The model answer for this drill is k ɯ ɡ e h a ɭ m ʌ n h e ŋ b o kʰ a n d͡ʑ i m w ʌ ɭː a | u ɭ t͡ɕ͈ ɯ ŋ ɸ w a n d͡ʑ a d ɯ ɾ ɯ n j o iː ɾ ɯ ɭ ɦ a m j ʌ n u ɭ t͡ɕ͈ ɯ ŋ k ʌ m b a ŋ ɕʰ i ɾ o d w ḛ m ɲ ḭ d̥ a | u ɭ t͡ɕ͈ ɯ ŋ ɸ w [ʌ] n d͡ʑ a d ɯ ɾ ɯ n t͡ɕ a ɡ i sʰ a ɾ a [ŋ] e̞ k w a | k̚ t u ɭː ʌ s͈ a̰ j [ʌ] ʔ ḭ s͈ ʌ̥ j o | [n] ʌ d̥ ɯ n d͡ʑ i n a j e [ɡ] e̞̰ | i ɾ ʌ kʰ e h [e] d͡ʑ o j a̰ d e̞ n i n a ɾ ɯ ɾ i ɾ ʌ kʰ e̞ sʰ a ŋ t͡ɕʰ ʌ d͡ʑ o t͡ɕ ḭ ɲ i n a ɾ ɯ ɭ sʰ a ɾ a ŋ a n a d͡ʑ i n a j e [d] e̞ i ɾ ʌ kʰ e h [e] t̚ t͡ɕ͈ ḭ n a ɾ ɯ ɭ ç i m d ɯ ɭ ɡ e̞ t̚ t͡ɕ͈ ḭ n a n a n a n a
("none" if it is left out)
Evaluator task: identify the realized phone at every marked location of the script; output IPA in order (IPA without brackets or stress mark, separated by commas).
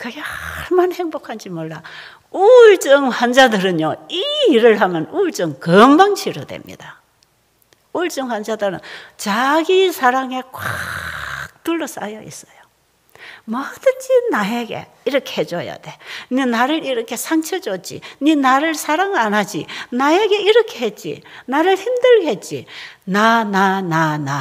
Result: a, ŋ, ʌ, m, ɡ, e, ɡ, e